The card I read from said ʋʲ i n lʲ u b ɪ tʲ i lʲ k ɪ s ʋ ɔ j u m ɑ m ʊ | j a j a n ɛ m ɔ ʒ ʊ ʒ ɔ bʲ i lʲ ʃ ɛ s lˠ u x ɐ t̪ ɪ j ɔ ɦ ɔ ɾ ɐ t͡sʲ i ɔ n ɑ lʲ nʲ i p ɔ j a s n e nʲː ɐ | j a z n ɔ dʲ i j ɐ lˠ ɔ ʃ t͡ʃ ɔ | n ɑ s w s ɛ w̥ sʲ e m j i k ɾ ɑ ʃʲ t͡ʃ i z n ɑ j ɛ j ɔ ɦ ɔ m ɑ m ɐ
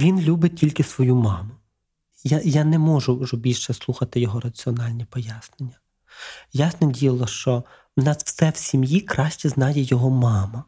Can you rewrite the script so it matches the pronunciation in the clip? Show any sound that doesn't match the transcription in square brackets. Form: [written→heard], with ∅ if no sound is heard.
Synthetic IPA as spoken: ʋʲ i n lʲ u b ɪ tʲ i lʲ k ɪ s ʋ ɔ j u m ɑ m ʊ | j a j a n ɛ m ɔ ʒ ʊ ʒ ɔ bʲ i lʲ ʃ ɛ s lˠ u x ɐ t̪ ɪ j ɔ ɦ ɔ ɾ ɐ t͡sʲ i ɔ n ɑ lʲ nʲ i p ɔ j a s n e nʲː ɐ | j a [z→s] n ɔ dʲ i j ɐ lˠ ɔ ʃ t͡ʃ ɔ | n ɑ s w s ɛ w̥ sʲ [e→i] m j i k ɾ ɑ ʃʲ t͡ʃ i z n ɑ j ɛ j ɔ ɦ ɔ m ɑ m ɐ